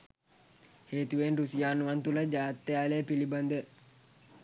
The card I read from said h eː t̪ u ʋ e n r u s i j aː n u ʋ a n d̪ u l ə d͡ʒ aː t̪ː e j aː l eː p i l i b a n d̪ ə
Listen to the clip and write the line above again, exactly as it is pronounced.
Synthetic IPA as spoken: h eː t̪ u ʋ e n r u s i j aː n u ʋ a n t̪ u l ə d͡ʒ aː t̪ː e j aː l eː p i l i b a n d̪ ə